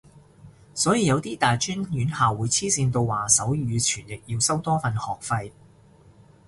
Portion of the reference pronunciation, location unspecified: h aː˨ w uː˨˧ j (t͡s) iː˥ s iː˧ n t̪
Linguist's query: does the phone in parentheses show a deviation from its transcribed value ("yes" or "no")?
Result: yes